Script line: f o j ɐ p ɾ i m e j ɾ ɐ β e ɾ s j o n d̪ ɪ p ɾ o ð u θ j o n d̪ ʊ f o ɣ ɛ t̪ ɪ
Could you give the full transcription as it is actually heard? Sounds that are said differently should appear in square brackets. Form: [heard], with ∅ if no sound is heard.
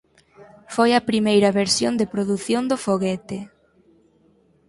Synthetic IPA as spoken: f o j ɐ p ɾ i m e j ɾ ɐ β e ɾ s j o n d̪ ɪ p ɾ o ð u θ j o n d̪ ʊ f o ɣ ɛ t̪ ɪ